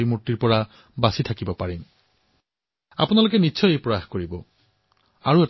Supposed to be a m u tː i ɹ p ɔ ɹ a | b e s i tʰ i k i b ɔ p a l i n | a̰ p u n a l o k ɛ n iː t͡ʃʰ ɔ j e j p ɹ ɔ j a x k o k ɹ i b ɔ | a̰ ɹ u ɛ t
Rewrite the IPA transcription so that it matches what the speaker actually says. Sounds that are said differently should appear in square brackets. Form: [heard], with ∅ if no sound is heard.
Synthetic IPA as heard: [i] m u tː i ɹ p ɔ ɹ a | b [a] s i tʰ [a] k i b ɔ p a [ɹ] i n | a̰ p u n a l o k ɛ n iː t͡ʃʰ ɔ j e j p ɹ ɔ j a x k o [∅] ɹ i b ɔ | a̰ ɹ u ɛ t